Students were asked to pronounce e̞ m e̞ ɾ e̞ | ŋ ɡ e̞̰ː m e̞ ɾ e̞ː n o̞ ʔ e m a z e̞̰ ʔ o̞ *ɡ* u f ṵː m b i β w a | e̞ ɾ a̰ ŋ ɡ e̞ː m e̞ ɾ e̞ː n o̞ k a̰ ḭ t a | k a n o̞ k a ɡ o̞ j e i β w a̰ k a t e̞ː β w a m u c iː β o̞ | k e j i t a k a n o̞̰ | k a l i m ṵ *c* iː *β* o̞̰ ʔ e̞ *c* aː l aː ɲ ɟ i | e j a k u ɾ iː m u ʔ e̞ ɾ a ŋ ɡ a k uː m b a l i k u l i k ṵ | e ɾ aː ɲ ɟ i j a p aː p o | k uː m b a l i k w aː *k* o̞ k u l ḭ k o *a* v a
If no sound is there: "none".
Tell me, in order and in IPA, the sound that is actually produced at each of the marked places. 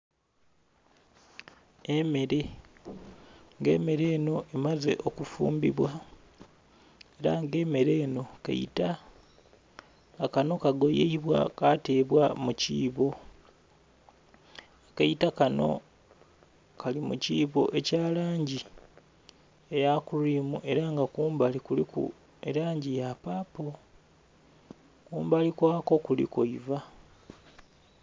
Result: k, c, β, c, k, i

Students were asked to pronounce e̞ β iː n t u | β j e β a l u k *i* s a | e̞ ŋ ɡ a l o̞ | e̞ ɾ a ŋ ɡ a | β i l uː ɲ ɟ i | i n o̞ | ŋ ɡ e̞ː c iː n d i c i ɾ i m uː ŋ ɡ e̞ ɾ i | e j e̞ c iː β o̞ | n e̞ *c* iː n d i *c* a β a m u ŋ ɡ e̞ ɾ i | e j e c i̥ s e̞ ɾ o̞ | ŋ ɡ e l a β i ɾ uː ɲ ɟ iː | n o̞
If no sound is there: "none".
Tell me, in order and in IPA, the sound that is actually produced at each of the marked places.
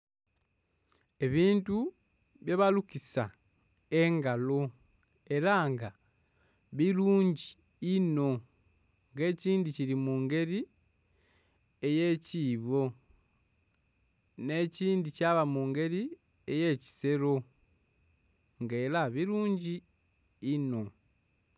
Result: i, c, c

